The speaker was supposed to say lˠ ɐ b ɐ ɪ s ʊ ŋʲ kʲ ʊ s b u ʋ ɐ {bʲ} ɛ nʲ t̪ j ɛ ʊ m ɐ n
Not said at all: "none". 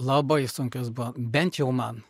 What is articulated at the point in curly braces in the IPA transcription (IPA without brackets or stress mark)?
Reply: bʲ